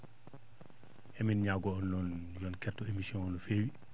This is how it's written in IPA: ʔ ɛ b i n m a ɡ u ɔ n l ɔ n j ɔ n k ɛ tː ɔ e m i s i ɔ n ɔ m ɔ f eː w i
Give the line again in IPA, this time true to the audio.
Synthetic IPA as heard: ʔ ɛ m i n ɲ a ɡ ɔ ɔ n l ɔ n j ɔ n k ɛ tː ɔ e m i s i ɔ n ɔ n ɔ f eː w i

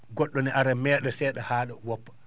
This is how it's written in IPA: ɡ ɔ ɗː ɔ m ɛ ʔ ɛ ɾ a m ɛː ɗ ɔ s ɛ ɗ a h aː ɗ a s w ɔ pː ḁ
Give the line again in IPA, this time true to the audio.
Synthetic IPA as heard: ɡ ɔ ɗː ɔ n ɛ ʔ a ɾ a m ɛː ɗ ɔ s ɛ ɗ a h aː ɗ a w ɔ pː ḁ

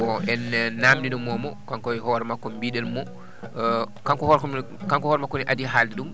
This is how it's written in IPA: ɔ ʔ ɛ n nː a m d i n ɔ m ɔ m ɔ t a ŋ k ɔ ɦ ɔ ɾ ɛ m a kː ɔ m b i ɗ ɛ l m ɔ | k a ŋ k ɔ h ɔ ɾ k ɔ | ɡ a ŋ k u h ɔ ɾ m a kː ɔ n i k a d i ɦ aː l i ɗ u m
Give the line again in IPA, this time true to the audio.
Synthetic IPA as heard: ɔ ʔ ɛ n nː a m d i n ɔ m ɔ m ɔ k a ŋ k ɔ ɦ ɔ ɾ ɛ m a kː ɔ m b i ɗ ɛ l m ɔ | k a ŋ k ɔ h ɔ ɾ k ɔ | k a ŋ k ɔ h ɔ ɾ m a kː ɔ n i ʔ a d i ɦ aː l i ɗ u m

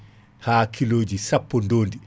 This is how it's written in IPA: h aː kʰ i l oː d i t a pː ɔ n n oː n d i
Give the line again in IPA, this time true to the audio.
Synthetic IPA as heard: h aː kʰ i l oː d͡ʒ i s a pː ɔ n d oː n d i

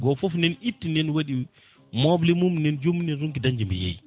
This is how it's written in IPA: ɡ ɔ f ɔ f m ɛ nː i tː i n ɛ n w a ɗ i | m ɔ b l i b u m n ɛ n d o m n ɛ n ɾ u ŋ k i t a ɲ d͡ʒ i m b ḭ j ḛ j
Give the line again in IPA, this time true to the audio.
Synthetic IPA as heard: ɡ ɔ f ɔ f n ɛ n i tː i n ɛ n w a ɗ i | m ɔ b l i m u m n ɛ n d͡ʒ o m n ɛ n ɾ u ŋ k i d a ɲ d͡ʒ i m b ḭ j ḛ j

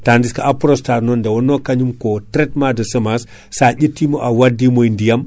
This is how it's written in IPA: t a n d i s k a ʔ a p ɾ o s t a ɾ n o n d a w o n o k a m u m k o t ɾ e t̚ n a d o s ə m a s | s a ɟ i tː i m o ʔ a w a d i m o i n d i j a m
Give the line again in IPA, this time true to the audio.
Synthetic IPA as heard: t a n d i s k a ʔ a p ɾ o s t a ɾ n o n d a w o n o k a ɲ u m k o t ɾ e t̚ m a d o s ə m a s | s a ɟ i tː i m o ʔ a w a d i m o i n d i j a m

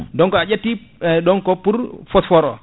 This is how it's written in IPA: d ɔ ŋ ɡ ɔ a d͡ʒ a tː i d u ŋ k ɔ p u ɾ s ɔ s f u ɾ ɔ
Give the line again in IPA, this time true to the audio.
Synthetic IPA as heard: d ɔ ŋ k ɔ a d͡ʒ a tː i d ɔ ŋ k ɔ p u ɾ f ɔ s f ɔ ɾ ɔ

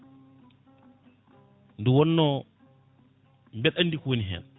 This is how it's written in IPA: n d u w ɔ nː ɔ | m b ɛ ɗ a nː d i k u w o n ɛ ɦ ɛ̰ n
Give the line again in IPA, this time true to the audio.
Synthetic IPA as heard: n d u w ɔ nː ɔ | m b ɛ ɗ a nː d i k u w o n i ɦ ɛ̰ n

